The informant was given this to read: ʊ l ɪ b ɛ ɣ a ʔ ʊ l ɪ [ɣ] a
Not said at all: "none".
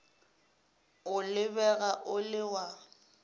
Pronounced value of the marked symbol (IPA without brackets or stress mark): w